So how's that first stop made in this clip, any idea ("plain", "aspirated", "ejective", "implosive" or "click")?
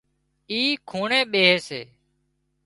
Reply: aspirated